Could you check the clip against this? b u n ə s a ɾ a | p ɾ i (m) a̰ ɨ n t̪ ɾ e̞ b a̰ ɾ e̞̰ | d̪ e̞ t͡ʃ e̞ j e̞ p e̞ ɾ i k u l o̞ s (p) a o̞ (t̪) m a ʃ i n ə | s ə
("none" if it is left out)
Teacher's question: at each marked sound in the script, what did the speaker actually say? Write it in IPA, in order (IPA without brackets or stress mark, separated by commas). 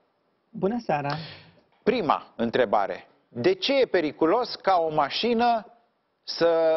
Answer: m, k, none